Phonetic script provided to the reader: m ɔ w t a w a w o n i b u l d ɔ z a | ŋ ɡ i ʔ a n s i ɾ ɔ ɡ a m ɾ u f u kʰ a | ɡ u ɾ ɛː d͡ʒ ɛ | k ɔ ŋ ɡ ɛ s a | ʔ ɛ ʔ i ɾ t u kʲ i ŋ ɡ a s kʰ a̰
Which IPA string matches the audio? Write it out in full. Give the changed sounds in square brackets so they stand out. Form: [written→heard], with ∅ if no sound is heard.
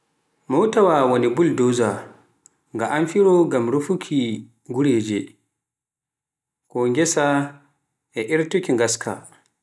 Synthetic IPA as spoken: m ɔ w t a w a w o n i b u l d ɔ z a | ŋ ɡ [i→a] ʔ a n [s→f] i ɾ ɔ ɡ a m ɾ u f u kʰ [a→i] | ɡ u ɾ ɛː d͡ʒ ɛ | k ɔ ŋ ɡ ɛ s a | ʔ ɛ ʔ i ɾ t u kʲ i ŋ ɡ a s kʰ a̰